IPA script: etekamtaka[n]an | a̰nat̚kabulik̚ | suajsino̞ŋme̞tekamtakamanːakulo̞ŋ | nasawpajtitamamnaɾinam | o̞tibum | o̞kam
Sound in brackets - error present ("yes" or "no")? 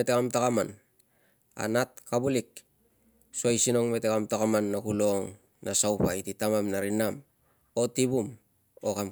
yes